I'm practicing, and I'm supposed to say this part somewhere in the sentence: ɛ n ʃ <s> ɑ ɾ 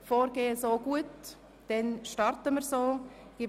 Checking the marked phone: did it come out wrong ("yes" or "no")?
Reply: yes